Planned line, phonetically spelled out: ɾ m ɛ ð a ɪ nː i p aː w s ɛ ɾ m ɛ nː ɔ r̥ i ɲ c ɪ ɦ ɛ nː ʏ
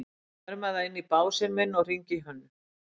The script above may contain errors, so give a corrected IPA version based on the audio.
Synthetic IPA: ɾ m a ð a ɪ nː i p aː w s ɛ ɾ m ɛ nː ɔ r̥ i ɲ c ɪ ɦ œ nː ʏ

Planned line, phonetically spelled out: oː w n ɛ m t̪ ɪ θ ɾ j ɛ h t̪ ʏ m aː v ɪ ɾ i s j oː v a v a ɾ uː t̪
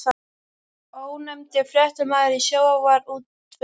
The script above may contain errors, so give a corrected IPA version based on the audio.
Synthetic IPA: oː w n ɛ m t̪ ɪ f ɾ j ɛ h t̪ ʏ m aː ð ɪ ɾ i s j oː w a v a ɾ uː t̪

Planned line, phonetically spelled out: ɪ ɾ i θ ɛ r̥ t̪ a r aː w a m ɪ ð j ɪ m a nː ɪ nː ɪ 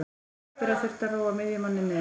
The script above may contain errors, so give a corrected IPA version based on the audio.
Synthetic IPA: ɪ ɾ a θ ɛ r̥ t̪ a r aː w a m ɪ ð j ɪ m a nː ɪ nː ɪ

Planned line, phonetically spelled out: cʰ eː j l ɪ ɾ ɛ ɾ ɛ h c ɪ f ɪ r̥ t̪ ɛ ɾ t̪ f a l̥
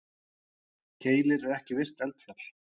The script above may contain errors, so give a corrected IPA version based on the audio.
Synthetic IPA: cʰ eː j l ɪ ɾ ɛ ɾ ɛ h c ɪ v ɪ r̥ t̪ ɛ l t̪ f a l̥

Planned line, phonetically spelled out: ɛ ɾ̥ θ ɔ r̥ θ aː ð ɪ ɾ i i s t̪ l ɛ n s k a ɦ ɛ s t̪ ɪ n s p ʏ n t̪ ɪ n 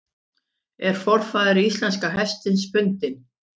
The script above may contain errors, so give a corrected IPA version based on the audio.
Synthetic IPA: ɛ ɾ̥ f ɔ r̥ f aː ð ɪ ɾ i i s t̪ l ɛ n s k a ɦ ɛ s t̪ ɪ n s p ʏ n t̪ ɪ n

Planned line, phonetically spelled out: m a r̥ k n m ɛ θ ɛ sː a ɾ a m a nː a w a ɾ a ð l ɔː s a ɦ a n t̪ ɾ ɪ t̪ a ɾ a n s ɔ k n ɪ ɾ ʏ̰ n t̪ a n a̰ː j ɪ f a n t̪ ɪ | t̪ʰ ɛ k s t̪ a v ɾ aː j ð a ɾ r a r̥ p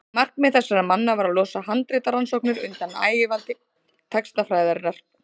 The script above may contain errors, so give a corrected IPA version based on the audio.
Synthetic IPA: m a r̥ k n m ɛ θ ɛ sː a ɾ a m a nː a v a ɾ a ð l ɔː s a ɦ a n t̪ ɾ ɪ t̪ a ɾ a n s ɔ k n ɪ ɾ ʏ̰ n t̪ a n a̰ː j ɪ v a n t̪ ɪ | t̪ʰ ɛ k s t̪ a f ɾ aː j ð a ɾ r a r̥ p

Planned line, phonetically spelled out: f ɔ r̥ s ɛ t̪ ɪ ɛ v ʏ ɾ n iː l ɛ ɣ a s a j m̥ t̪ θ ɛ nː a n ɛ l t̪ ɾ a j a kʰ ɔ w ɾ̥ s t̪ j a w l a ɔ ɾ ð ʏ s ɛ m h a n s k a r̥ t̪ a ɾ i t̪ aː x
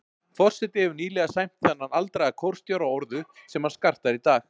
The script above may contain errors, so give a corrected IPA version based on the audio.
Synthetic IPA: f ɔ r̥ s ɛ t̪ ɪ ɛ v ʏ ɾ n iː l ɛ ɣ a s a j m̥ t̪ θ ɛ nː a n a l t̪ ɾ a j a kʰ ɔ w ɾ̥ s t̪ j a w ɾ a ɔ ɾ ð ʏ s ɛ m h a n s k a r̥ t̪ a ɾ i t̪ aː x

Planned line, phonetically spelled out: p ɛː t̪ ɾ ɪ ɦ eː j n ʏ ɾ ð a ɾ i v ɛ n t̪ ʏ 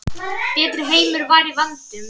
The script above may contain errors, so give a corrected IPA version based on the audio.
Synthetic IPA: p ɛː t̪ ɾ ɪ ɦ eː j m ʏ ɾ v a ɾ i v a n t̪ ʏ

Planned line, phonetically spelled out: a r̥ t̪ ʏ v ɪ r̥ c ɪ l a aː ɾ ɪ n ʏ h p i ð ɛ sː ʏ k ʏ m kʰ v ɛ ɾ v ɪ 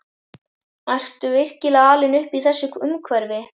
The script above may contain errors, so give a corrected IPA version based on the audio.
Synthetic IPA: a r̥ t̪ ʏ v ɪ r̥ c ɪ l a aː l ɪ n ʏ h p i θ ɛ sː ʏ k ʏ m kʰ v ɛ ɾ v ɪ

